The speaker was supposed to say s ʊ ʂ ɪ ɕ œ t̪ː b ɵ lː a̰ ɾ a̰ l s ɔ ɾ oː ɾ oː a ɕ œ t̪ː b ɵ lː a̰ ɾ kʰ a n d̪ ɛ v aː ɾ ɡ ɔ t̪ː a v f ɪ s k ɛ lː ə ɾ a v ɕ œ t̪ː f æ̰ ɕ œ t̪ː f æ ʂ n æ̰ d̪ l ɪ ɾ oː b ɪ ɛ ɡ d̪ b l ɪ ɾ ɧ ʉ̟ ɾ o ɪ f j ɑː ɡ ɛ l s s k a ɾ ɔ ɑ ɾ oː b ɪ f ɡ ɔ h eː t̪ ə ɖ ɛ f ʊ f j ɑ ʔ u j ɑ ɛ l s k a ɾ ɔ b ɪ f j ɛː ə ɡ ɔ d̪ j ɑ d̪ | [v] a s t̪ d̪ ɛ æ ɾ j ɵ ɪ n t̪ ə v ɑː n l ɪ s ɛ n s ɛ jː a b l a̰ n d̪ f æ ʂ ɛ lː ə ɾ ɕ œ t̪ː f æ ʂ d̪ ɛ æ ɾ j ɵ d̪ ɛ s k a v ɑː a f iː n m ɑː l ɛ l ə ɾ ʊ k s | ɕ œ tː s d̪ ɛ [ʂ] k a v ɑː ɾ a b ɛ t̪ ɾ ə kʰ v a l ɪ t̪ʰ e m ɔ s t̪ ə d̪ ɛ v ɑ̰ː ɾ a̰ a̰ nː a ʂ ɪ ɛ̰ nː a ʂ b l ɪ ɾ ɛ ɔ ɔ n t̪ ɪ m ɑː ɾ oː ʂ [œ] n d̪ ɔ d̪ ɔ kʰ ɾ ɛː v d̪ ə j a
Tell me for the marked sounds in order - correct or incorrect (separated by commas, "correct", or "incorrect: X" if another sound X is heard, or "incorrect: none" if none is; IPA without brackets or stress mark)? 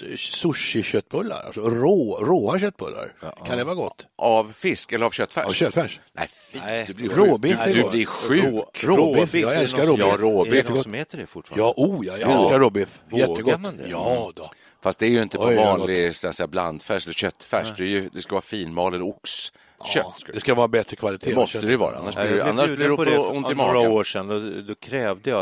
incorrect: f, incorrect: s, incorrect: ɛ